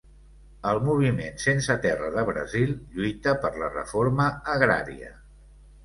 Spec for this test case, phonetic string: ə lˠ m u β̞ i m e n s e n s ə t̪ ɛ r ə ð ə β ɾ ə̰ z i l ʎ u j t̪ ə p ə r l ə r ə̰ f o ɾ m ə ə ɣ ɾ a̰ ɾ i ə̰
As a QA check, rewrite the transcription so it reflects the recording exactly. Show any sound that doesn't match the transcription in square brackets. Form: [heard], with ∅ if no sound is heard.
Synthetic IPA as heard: ə lˠ m u β̞ i m e n s e n s ə t̪ ɛ r ə ð ə β ɾ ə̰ z i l ʎ u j t̪ ə p ə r l ə r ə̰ f o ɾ m ə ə ɣ ɾ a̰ ɾ i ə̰